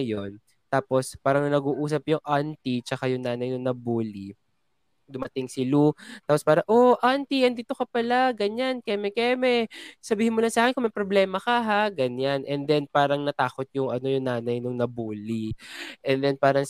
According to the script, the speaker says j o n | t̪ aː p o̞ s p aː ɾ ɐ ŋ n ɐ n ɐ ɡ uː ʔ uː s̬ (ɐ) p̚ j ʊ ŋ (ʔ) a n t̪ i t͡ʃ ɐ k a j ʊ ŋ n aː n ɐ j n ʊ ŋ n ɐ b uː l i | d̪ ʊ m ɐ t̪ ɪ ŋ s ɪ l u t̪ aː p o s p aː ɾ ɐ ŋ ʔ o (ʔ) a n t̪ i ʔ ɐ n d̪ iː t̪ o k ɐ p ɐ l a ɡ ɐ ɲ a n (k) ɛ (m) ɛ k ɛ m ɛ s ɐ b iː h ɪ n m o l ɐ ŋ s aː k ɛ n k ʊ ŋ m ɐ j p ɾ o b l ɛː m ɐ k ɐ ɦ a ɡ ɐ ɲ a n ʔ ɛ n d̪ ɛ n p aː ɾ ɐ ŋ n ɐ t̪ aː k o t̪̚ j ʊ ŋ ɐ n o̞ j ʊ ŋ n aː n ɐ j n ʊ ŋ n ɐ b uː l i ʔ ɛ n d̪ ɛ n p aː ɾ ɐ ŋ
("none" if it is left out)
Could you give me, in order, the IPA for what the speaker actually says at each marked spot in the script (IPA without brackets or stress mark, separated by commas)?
ɐ, ʔ, ʔ, k, m